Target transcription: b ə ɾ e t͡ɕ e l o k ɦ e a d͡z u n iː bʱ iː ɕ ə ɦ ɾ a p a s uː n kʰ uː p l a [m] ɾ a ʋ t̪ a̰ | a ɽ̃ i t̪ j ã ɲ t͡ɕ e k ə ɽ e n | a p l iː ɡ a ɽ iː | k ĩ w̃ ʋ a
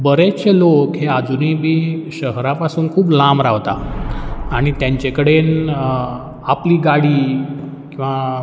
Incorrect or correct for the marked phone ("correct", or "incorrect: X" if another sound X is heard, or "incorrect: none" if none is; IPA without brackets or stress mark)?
correct